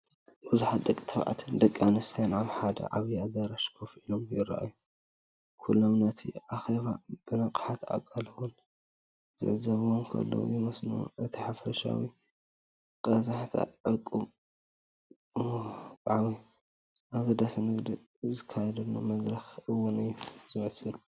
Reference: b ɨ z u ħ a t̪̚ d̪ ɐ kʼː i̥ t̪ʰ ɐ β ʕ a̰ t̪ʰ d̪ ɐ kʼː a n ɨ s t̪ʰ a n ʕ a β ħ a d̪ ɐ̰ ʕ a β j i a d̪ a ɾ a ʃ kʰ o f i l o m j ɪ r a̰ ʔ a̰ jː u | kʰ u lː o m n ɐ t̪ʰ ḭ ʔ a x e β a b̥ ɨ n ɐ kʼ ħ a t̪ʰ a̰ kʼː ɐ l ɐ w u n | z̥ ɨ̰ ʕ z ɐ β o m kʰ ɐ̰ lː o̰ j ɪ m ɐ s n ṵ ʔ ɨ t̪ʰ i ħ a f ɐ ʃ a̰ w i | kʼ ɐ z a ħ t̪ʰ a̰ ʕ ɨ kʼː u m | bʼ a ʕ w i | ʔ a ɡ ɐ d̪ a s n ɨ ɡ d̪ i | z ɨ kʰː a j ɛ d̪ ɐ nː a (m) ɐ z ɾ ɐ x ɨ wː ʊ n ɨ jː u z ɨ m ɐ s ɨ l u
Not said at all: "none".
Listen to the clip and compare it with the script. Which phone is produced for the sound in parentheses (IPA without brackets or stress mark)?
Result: m